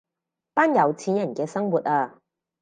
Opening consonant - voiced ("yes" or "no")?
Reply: no